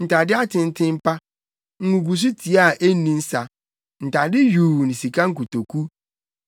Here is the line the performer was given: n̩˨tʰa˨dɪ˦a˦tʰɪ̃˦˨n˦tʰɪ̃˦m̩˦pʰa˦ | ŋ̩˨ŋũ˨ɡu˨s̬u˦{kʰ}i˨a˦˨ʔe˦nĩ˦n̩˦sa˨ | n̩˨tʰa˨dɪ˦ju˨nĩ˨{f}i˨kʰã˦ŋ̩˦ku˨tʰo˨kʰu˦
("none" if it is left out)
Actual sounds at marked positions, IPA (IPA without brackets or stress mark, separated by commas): tʰ, s